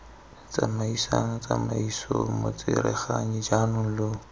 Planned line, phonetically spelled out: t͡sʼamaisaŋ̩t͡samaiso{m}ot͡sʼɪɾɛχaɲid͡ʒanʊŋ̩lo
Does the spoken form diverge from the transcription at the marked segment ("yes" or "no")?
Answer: no